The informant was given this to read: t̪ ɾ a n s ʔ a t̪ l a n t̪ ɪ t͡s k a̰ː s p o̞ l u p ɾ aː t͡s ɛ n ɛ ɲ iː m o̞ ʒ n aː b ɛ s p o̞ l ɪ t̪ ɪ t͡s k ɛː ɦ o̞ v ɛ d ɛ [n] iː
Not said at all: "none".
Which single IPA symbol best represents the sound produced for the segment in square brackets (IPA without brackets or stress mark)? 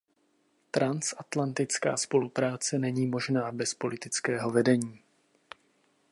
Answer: ɲ